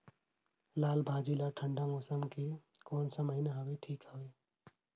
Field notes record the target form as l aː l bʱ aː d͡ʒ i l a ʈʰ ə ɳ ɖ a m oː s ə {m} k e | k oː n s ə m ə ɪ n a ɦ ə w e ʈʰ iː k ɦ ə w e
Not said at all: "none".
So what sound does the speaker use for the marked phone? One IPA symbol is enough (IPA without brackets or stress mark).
m